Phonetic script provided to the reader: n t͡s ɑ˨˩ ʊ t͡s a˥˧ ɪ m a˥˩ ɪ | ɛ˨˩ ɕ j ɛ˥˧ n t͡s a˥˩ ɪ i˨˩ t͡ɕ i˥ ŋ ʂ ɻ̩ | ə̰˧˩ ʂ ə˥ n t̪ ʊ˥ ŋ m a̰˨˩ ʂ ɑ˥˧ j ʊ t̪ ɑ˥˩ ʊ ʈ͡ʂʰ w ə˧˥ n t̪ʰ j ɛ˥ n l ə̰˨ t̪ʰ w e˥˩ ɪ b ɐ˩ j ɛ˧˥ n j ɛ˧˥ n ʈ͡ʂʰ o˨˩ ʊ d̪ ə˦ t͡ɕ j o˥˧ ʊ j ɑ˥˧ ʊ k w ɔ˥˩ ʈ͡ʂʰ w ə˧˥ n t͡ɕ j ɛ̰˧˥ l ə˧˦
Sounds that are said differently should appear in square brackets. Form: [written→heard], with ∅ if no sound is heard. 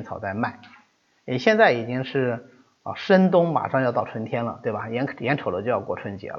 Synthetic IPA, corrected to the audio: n [t͡s→t͡sʰ] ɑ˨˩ ʊ t͡s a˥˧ ɪ m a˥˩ ɪ | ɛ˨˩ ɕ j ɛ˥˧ n t͡s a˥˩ ɪ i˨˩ t͡ɕ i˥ ŋ ʂ ɻ̩ | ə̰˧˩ ʂ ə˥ n t̪ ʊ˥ ŋ m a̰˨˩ ʂ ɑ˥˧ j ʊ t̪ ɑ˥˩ ʊ ʈ͡ʂʰ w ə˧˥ n t̪ʰ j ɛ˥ n l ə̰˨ [t̪ʰ→t̪] w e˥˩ ɪ b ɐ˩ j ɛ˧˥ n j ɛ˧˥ n ʈ͡ʂʰ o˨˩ ʊ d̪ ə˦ t͡ɕ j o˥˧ ʊ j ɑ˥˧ ʊ k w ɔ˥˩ ʈ͡ʂʰ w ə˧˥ n t͡ɕ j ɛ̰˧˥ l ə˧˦